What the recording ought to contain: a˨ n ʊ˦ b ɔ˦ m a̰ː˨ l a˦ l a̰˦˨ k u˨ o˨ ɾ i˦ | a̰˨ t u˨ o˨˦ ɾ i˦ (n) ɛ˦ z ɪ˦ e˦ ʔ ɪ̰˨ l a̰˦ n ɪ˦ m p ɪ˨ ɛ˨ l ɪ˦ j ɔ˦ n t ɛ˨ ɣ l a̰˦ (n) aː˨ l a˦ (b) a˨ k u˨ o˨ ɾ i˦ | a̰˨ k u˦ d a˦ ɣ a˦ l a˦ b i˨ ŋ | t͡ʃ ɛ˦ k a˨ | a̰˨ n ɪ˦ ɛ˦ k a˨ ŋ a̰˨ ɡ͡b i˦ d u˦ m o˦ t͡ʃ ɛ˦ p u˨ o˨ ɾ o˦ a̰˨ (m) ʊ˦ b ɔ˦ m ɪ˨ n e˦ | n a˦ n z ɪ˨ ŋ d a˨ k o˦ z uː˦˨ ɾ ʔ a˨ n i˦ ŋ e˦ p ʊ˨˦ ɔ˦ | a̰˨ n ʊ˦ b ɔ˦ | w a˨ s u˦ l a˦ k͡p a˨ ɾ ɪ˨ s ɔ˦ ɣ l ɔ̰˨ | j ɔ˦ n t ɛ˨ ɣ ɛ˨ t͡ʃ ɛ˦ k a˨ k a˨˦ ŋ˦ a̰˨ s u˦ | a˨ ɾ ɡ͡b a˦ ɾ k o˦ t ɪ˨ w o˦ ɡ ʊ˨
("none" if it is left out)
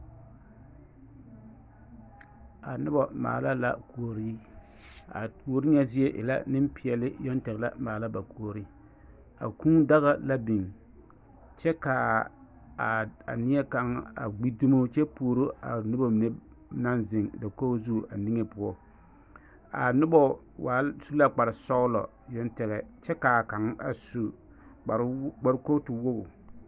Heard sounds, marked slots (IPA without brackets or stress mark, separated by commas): ɲ, m, b, n